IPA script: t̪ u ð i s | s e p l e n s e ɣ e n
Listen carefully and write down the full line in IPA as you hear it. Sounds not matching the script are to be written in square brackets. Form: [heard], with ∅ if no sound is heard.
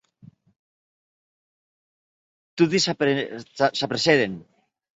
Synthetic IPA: t̪ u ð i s | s [a] p [ɾ] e [∅] s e [ð] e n